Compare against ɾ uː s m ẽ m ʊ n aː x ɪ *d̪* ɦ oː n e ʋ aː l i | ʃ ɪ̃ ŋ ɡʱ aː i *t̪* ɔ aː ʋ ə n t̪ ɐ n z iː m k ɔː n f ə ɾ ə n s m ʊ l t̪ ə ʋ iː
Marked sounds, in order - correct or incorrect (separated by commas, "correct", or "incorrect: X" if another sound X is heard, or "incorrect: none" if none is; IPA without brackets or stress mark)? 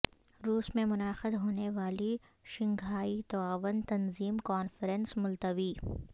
correct, correct